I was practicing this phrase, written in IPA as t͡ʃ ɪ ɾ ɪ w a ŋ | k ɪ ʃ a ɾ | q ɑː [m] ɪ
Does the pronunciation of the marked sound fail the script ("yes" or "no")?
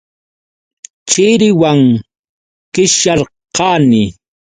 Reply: yes